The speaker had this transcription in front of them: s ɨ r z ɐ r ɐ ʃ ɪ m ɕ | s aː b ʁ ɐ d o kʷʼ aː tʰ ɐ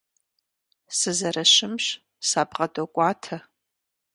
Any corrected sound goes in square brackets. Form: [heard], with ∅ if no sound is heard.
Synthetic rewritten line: s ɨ [∅] z ɐ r ɐ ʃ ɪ m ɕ | s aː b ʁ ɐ d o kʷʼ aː tʰ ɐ